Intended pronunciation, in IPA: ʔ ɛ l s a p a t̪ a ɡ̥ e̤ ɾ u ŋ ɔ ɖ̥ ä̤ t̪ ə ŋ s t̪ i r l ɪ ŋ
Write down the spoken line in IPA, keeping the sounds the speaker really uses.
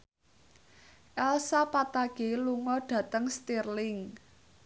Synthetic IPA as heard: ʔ ɛ l s a p a t̪ a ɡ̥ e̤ l u ŋ ɔ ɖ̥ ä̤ t̪ ə ŋ s t̪ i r l ɪ ŋ